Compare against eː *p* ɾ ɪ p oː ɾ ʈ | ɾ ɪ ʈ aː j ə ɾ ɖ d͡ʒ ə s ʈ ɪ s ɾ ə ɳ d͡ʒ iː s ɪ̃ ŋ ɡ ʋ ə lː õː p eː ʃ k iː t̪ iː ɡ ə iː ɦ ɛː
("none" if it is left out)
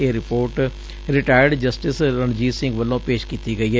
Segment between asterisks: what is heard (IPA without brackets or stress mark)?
none